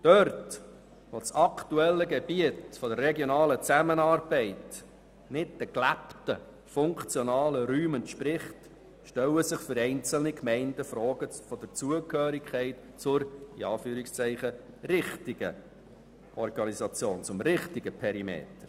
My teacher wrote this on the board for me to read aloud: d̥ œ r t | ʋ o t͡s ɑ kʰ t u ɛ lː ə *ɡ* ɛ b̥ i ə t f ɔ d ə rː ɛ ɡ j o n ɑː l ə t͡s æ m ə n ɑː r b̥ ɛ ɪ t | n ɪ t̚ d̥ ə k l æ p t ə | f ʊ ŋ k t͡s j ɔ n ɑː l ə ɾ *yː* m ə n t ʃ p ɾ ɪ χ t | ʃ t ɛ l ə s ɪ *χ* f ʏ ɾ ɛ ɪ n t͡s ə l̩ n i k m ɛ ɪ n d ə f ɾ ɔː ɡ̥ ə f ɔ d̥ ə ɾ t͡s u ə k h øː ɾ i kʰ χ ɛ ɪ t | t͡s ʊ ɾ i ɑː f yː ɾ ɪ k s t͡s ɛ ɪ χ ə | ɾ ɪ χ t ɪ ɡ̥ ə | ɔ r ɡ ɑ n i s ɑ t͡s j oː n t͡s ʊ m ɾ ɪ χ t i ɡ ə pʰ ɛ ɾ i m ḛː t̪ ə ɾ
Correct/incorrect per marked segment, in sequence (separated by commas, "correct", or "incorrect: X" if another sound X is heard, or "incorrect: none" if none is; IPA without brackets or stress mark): correct, correct, correct